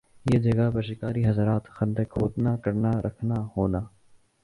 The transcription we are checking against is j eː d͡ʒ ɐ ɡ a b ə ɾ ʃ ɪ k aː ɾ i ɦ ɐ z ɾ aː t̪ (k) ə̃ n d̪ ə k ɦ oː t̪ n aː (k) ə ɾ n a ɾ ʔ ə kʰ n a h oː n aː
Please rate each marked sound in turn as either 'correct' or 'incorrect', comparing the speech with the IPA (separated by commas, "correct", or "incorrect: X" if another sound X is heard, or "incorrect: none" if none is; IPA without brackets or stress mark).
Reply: incorrect: x, correct